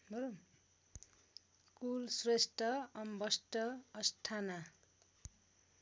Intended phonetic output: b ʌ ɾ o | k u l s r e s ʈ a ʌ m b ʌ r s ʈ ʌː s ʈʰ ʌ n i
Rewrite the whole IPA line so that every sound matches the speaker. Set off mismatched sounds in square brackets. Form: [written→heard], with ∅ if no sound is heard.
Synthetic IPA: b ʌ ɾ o | k u l s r e s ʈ [a→ʌ] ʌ m b ʌ [r→∅] s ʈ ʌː s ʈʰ [ʌ→a] n [i→a]